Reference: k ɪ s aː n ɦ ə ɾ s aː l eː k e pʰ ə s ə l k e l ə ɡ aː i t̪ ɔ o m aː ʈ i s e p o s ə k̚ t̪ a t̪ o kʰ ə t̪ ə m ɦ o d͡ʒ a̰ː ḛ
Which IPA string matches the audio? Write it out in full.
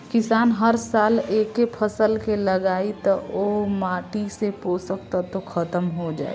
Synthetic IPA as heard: k ɪ s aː n ɦ ə ɾ s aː l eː k e pʰ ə s ə l k e l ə ɡ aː i t̪ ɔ o m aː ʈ i s e p o s ə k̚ t̪ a t̪ o kʰ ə t̪ ə m ɦ o d͡ʒ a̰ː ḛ